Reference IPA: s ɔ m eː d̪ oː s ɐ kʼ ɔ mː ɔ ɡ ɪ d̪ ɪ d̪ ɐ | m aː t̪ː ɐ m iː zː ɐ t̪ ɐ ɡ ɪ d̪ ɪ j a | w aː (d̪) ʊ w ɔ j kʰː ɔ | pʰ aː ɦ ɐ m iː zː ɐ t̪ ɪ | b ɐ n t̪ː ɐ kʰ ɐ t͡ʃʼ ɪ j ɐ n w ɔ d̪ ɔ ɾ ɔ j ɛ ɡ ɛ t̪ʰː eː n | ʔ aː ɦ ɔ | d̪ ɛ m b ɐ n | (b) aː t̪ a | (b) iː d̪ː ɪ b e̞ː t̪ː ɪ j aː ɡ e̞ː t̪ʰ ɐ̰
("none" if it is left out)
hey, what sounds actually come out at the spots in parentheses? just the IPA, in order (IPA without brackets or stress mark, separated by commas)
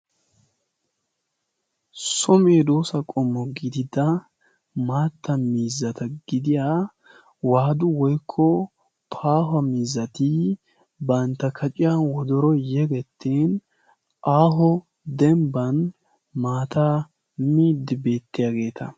d̪, m, m